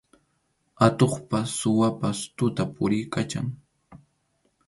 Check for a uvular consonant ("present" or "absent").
present